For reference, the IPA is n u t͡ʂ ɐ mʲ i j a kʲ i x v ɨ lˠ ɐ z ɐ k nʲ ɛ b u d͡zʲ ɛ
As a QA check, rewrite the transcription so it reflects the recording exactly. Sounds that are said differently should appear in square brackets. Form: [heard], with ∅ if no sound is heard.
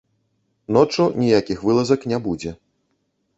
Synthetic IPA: n [ɔ] t͡ʂ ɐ [nʲ] i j a kʲ i x v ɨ lˠ ɐ z ɐ k nʲ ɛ b u d͡zʲ ɛ